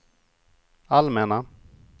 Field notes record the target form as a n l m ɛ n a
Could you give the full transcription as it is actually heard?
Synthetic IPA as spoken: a l m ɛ n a

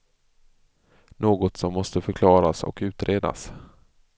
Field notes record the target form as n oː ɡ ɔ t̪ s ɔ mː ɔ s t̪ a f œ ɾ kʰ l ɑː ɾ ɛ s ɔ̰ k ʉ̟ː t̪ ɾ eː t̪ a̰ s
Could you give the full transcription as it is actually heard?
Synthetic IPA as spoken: n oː ɡ ɔ t̪ s ɔ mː ɔ s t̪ ə f œ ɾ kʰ l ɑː ɾ a s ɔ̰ k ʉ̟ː t̪ ɾ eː d̪ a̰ s

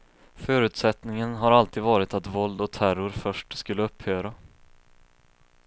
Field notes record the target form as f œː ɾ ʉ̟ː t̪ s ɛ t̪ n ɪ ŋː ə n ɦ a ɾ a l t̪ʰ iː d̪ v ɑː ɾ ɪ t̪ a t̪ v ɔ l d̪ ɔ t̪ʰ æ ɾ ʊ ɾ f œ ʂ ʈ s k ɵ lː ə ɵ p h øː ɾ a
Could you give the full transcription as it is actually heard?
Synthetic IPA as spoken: f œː ɾ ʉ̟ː t̪ s ɛ t̪ n ɪ ŋ ə n ɦ a ɾ a l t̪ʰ iː d̪ v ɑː ɾ ɪ t̪ a t̪ v ɔ l d̪ ɔ t̪ʰ æ ɾ ʊ ɾ f œ ʂ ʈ s k ɵ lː ə ɵ p h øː ɾ a

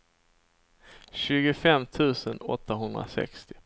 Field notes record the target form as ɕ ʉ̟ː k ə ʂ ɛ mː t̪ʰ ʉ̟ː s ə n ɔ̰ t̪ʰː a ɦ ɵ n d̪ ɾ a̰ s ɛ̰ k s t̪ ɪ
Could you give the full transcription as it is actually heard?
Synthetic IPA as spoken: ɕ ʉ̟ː ɡ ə f ɛ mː t̪ʰ ʉ̟ː s ə n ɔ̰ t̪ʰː a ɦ ɵ n d̪ ɾ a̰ s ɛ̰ k s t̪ ɪ

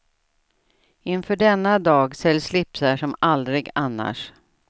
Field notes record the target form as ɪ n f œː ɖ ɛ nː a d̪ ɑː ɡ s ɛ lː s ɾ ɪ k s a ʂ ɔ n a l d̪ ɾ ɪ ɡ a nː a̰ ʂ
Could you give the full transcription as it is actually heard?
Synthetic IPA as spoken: ɪ n f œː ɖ ɛ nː a d̪ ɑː ɡ s ɛ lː s l ɪ p s a ʂ ɔ m a l d̪ ɾ ɪ ɡ a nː a̰ ʂ

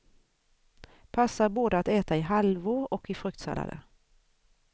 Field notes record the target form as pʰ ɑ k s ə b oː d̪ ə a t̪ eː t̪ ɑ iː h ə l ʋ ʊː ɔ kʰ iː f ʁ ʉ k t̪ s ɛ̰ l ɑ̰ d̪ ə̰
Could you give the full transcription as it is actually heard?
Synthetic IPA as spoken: pʰ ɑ s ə b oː d̪ ə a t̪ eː t̪ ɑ iː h ɑ l ʋ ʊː ɔ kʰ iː f ʁ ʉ k t̪ s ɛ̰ l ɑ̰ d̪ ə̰

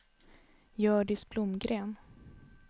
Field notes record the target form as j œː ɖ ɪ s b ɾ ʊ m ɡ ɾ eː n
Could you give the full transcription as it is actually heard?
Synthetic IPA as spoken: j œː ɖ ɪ s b l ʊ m ɡ ɾ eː n

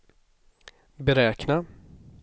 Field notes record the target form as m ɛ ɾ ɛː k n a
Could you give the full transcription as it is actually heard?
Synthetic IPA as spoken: b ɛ ɾ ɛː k n a

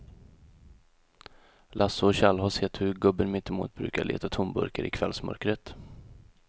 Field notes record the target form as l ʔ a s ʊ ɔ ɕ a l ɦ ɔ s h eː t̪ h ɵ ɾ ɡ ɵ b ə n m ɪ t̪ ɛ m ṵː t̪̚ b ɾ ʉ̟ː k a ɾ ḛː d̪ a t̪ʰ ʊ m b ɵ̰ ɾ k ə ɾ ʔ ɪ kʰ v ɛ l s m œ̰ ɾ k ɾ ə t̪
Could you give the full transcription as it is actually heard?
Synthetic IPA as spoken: l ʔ a s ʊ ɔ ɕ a l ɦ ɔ s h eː t̪ h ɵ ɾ ɡ ɵ b ə n m ɪ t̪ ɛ m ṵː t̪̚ b ɾ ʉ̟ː k a ɭ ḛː t̪ a t̪ʰ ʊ m b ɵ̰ ɾ k ə ɾ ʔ ɪ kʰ v ɛ l s m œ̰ ɾ k ɾ ə t̪

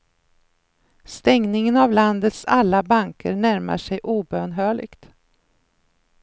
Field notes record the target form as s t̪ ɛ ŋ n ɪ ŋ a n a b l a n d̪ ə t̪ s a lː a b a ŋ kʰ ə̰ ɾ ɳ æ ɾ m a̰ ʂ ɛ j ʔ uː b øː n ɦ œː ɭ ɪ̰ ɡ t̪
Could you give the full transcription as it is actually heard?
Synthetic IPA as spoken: s t̪ ɛ ŋ n ɪ ŋ ə n a v l a n d̪ ə t̪ s a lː a b a ŋ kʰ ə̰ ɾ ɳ æ ɾ m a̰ ʂ ɛ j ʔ uː b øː n ɦ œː ɭ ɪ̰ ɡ t̪

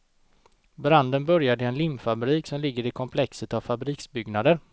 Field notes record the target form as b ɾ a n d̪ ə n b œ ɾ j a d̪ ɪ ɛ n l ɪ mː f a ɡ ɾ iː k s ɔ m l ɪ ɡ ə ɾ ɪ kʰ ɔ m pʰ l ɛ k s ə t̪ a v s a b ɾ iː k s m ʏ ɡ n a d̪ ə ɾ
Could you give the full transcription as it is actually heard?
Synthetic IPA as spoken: b ɾ a n d̪ ə n b œ ɾ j a d̪ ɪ ɛ n l ɪ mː f a b ɾ iː k s ɔ m l ɪ ɡː ə ɾ ɪ kʰ ɔ m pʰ l ɛ k s ə t̪ a v f a b ɾ iː k s b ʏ ɡ n a d̪ ə ɾ

